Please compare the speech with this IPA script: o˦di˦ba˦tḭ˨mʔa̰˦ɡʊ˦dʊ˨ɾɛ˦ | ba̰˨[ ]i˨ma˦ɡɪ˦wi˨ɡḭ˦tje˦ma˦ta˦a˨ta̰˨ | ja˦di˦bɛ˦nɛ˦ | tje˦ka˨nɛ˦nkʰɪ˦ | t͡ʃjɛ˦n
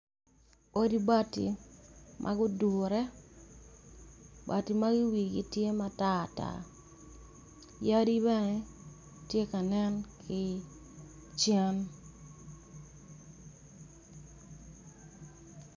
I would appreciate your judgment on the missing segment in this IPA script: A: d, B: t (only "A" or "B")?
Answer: B